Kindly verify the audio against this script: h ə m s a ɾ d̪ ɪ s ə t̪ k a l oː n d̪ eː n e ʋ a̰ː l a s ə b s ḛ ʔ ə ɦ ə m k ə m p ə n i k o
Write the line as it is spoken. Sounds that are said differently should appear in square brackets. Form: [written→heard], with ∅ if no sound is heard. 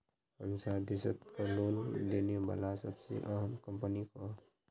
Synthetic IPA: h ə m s a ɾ d̪ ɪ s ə t̪ k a l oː n d̪ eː n e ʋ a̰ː l a s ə b s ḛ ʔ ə ɦ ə m k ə m p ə n i k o